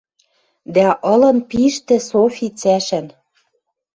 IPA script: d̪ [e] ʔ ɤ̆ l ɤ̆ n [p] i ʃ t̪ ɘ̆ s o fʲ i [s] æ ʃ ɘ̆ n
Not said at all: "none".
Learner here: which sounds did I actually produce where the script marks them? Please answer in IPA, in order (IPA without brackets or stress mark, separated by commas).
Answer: æ, p, t͡s